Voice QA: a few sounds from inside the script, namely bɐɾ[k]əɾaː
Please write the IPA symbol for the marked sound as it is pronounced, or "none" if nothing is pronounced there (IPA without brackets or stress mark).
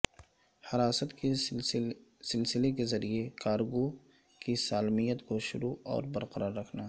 q